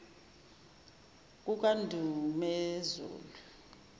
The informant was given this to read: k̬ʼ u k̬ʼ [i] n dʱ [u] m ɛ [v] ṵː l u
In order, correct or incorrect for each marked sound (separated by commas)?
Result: incorrect, correct, incorrect